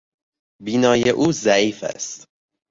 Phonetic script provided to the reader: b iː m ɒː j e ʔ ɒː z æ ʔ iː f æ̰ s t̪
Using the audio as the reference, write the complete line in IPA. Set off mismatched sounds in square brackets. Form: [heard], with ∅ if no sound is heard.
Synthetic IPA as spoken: b iː [n] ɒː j e ʔ [uː] z æ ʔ iː f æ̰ s t̪